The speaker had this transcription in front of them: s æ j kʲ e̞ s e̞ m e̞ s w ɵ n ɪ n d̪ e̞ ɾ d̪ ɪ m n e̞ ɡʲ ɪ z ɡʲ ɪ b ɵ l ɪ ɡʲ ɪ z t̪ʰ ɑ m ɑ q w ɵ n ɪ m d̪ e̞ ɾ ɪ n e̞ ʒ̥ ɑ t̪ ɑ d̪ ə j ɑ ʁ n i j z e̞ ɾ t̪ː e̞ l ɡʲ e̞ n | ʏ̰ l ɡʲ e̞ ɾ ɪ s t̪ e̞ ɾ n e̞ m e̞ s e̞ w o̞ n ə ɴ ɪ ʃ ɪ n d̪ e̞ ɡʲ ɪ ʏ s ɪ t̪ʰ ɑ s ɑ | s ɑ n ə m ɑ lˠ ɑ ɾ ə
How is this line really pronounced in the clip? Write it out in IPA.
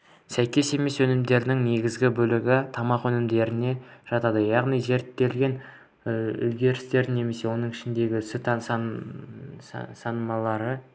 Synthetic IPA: s æ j kʲ e̞ s e̞ m e̞ s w ɵ n ɪ m d̪ e̞ ɾ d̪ ɪ ŋ n e̞ ɡʲ ɪ z ɡʲ ɪ b ɵ l ɪ ɡʲ ɪ t̪ʰ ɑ m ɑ q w ɵ n ɪ m d̪ e̞ ɾ ɪ n e̞ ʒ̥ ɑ t̪ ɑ d̪ ə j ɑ ʁ n i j z e̞ ɾ t̪ː e̞ l ɡʲ e̞ n | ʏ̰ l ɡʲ e̞ ɾ ɪ s t̪ e̞ ɾ n e̞ m e̞ s e̞ w o̞ n ə ɴ ɪ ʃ ɪ n d̪ e̞ ɡʲ ɪ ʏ s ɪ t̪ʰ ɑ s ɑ | s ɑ n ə m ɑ lˠ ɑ ɾ ə